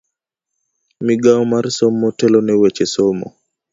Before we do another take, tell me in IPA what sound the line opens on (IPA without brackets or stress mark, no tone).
m